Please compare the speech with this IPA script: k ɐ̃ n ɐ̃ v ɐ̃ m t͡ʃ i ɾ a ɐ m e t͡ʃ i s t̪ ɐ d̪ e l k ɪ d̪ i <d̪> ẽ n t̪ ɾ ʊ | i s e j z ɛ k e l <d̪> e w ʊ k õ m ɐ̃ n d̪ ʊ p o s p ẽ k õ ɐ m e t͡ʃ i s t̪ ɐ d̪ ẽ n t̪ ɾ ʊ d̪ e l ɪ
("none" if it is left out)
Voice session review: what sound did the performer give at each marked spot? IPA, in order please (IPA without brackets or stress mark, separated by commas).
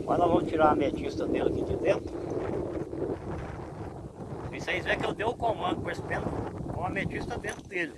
d̪, d̪